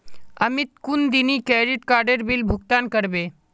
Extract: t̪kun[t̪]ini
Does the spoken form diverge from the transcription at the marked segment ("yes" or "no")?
yes